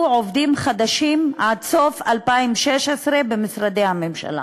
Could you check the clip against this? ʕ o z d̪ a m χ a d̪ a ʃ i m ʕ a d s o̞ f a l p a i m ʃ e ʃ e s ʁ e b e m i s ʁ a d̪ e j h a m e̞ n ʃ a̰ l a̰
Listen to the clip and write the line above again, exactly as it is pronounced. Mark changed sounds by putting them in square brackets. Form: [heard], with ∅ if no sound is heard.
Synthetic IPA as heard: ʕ o [v] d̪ [i] m χ a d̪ a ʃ i m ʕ a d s o̞ f a l p a i m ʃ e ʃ e s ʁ e b e m i s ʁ a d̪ e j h a m e̞ [m] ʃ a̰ l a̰